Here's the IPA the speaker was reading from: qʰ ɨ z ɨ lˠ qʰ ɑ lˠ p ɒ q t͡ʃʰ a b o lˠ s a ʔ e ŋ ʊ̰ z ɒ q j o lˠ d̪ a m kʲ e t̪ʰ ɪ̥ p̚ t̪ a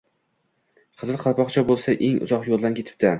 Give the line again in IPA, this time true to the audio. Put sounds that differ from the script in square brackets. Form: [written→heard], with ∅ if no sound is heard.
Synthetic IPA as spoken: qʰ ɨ z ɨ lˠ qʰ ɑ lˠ p ɒ q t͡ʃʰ a b o lˠ s a ʔ e ŋ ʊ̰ z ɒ q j o lˠ d̪ a [m→n] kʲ e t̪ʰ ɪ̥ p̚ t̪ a